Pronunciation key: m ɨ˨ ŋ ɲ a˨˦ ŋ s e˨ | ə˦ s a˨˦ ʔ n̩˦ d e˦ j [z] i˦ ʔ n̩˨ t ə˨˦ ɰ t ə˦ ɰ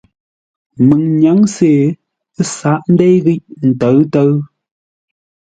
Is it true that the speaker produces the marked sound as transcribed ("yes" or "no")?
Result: no